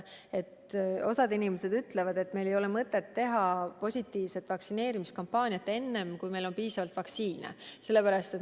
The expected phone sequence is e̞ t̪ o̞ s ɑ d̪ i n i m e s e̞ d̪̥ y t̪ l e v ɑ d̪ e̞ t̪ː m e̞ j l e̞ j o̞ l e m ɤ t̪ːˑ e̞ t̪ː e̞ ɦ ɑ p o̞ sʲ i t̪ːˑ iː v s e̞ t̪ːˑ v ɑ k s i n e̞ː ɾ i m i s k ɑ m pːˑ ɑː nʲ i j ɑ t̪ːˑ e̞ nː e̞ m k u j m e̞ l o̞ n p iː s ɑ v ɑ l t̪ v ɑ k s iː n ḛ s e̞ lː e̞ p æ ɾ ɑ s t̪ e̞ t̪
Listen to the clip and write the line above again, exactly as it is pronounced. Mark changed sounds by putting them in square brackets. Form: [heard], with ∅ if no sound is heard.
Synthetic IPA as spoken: e̞ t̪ o̞ s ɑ d̪ i n i m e s e̞ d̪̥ y t̪ l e v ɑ d̪ e̞ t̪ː m e̞ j l e̞ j o̞ l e m ɤ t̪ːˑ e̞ t̪ː e̞ ɦ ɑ p o̞ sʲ i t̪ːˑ iː v s e̞ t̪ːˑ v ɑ k s i n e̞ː ɾ i m i s k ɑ m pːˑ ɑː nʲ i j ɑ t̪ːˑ e̞ nː e̞ m k u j m e̞ l o̞ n p iː s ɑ v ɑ l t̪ v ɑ k s iː n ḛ s e̞ lː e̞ p æ ɾ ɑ s t̪ e̞ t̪